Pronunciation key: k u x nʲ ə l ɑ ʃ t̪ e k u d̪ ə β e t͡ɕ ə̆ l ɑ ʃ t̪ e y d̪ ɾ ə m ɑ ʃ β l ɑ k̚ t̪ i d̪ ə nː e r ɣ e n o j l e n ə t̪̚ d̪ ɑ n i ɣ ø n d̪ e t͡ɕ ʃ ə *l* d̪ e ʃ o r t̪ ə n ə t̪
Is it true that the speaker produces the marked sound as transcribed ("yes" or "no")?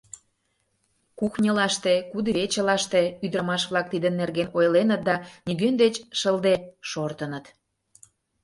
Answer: yes